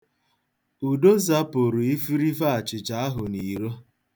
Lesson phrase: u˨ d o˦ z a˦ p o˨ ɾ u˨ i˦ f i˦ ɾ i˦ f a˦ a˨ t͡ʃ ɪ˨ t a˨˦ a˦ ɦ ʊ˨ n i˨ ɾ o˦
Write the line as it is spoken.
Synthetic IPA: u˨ d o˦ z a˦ p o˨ ɾ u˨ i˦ f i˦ ɾ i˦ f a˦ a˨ t͡ʃ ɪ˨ t͡ʃ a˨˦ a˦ ɦ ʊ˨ n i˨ ɾ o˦